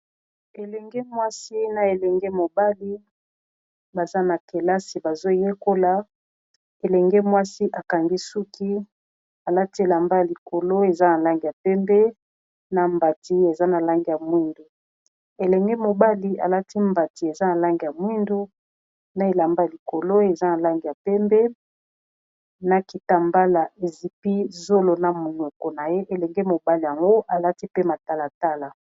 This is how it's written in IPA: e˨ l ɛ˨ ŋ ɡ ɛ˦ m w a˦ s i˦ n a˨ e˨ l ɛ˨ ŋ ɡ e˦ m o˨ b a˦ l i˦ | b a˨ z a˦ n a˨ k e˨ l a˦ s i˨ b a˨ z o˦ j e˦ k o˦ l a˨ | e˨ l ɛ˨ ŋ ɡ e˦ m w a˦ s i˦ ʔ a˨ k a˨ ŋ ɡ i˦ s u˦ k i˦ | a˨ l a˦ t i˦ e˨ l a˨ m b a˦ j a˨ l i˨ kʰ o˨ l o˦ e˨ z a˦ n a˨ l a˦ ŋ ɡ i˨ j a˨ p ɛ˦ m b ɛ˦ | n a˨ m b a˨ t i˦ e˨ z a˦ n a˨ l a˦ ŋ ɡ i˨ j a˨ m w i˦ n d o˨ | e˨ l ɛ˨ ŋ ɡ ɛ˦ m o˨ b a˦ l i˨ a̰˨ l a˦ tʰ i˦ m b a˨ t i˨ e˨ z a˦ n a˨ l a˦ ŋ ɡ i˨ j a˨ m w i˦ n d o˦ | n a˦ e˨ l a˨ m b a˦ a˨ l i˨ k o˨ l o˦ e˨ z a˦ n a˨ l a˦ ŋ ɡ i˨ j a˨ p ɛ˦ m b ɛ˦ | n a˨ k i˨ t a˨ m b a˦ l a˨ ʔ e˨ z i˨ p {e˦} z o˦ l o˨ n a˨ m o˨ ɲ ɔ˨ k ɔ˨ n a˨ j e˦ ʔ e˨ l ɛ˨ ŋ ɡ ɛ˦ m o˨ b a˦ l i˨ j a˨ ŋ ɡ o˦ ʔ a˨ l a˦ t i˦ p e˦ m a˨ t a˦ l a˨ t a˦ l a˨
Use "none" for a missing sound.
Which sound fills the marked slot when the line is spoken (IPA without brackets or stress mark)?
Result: i˦